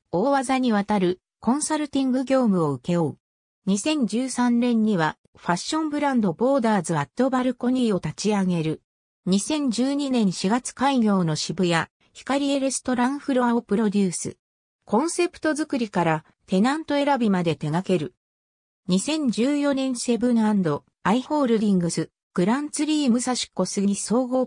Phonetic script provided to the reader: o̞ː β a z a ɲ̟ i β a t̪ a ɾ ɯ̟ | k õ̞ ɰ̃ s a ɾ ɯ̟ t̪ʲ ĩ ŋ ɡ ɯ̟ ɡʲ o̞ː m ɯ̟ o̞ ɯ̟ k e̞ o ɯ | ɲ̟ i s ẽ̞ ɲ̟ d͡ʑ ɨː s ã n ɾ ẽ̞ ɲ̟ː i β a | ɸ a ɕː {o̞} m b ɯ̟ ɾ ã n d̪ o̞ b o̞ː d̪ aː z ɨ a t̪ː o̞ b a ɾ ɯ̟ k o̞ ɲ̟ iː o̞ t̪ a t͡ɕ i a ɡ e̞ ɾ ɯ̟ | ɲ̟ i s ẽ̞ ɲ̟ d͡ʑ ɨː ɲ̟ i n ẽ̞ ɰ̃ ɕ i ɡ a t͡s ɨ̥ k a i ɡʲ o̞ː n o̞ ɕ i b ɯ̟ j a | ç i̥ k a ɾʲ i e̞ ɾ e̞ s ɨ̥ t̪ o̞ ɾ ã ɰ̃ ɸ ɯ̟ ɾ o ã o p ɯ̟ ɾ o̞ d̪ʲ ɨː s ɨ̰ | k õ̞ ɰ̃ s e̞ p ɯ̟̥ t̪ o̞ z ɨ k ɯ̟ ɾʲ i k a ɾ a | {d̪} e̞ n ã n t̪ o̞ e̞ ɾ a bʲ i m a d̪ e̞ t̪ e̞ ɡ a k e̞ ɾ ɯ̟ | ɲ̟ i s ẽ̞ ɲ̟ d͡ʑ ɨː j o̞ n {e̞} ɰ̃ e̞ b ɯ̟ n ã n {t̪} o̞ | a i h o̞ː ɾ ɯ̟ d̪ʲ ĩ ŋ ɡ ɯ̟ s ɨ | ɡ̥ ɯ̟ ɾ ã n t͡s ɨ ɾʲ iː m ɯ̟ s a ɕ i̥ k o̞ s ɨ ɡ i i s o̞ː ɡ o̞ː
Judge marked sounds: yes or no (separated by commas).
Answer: no, no, no, no